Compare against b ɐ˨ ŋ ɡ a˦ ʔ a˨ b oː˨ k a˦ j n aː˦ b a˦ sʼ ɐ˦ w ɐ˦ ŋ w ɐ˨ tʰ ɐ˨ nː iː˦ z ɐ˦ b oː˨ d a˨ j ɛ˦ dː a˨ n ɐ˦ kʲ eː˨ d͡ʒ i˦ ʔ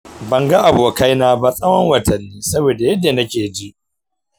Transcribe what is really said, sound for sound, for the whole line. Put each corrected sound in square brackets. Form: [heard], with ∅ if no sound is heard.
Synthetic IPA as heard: b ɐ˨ ŋ ɡ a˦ ʔ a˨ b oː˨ k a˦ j n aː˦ b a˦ sʼ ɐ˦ w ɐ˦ ŋ w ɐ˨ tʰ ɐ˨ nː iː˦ [s] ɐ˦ b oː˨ d a˨ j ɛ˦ dː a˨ n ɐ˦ kʲ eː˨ d͡ʒ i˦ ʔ